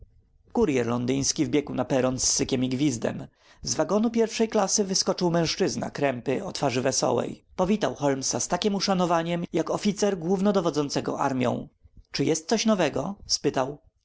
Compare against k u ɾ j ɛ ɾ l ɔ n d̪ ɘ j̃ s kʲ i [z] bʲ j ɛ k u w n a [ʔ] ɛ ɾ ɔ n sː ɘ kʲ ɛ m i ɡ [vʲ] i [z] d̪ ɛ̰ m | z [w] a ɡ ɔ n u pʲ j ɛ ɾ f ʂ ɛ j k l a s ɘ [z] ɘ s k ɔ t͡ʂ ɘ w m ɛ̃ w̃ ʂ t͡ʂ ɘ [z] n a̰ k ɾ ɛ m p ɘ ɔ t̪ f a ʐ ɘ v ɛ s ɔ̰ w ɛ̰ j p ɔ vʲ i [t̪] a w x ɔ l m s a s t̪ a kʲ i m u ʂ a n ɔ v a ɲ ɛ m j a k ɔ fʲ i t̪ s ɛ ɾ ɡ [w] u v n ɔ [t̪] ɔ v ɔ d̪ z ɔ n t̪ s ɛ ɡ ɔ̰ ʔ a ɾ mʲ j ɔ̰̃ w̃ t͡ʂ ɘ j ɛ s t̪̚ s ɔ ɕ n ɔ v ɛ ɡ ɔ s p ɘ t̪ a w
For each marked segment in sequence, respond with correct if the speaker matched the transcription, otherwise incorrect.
incorrect: v, incorrect: p, correct, correct, incorrect: v, incorrect: v, correct, correct, correct, incorrect: d̪

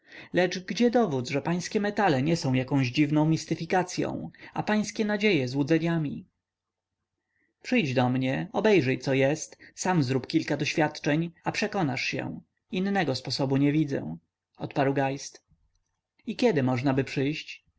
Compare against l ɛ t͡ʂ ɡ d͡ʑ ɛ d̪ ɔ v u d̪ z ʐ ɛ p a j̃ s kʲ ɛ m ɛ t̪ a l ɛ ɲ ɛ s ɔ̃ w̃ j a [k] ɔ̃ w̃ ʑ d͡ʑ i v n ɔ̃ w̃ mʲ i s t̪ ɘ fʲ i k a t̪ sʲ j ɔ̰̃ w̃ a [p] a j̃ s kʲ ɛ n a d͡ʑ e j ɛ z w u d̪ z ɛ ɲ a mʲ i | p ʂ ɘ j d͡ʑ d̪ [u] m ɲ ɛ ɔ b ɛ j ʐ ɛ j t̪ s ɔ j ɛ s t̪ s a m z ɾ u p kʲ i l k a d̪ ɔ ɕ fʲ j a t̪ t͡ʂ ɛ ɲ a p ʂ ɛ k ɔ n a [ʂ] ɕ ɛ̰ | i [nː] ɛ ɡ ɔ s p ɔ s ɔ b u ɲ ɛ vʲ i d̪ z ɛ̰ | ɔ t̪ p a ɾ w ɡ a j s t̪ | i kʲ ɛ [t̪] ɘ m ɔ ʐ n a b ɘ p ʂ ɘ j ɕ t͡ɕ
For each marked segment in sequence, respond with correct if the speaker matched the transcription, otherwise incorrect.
correct, correct, incorrect: ɔ, correct, correct, incorrect: d̪

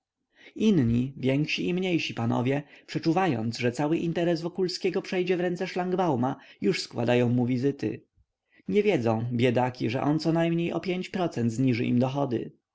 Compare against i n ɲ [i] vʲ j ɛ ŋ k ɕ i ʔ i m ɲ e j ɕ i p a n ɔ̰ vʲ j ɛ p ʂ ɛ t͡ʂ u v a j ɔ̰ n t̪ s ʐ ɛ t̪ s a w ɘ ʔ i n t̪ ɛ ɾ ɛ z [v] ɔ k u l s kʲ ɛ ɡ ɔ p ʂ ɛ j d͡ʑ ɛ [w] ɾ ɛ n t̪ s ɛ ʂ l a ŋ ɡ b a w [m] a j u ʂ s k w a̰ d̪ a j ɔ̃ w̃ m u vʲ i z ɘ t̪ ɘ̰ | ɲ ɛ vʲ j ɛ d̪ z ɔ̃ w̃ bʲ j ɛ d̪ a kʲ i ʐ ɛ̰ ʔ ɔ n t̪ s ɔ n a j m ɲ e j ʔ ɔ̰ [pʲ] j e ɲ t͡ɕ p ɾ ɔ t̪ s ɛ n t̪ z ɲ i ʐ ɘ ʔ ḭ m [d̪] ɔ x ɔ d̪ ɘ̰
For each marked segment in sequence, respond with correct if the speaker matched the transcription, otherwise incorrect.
correct, correct, incorrect: v, correct, correct, correct

